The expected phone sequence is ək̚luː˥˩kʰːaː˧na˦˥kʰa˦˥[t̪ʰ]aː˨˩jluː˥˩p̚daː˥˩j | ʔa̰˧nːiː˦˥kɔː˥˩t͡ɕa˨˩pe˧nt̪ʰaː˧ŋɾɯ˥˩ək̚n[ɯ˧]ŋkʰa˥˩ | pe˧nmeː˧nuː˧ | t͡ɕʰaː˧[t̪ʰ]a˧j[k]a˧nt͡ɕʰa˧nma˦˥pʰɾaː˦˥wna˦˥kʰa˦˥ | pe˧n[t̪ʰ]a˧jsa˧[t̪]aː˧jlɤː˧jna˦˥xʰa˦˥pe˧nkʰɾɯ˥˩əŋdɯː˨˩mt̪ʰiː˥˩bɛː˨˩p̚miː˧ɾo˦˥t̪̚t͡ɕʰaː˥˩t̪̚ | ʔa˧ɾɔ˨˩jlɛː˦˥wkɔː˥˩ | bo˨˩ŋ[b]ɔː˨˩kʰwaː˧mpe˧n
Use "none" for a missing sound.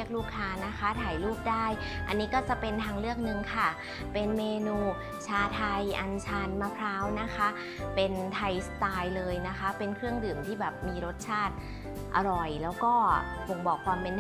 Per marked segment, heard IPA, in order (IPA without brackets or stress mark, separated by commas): t̪ʰ, ɯ˧, t̪ʰ, ʔ, t̪ʰ, t̪, b